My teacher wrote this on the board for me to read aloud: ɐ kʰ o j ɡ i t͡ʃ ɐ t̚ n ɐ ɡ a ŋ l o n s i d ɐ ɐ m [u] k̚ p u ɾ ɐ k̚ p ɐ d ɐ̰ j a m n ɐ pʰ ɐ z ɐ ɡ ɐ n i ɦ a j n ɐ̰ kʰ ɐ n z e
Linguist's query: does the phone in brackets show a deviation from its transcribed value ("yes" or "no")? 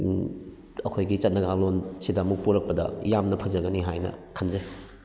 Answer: no